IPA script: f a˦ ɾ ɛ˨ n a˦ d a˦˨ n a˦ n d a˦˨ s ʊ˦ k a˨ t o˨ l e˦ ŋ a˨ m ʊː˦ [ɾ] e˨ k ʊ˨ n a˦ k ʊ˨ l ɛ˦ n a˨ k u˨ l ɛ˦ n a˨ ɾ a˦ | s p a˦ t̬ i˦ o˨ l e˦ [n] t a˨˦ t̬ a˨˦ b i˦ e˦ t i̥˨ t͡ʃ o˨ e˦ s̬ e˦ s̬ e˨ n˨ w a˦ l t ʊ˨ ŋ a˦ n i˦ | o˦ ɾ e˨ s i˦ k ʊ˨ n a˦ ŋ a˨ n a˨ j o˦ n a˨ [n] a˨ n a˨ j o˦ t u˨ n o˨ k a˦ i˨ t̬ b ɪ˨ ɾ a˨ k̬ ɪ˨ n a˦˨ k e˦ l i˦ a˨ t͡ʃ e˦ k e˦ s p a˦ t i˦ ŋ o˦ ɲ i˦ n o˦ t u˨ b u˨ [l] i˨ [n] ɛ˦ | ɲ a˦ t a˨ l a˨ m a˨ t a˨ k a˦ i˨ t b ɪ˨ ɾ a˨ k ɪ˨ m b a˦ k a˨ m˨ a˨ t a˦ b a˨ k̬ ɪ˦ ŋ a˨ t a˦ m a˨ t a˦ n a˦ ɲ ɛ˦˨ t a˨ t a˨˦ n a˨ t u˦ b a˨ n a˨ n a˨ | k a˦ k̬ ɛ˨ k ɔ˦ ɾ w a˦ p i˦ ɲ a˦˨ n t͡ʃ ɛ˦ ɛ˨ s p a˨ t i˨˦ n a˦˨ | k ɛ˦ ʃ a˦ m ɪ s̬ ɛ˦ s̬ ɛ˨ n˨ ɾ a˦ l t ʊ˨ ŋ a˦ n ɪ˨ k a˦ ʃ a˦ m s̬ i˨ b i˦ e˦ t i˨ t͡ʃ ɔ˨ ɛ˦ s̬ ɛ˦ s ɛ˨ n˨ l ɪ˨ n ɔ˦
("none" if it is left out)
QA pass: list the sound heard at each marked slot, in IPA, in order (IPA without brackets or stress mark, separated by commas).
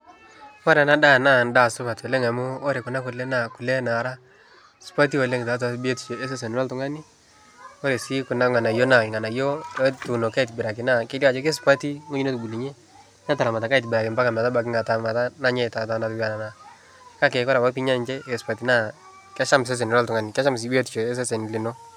ɾ, ŋ, ŋ, l, ɲ